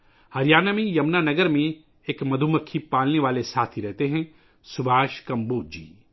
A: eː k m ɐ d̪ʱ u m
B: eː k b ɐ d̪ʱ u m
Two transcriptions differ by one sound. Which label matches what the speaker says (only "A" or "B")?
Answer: A